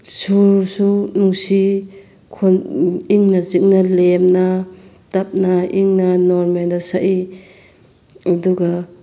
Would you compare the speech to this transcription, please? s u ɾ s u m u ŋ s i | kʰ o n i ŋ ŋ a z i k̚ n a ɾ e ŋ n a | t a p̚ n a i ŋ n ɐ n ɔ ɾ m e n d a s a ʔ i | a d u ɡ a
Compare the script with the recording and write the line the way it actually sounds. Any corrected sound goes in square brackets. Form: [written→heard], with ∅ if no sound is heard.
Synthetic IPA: s u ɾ s u [m→n] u ŋ s i | kʰ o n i ŋ [ŋ→n] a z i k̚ n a [ɾ→l] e [ŋ→m] n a | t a p̚ n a i ŋ n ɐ n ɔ ɾ m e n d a s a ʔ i | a d u ɡ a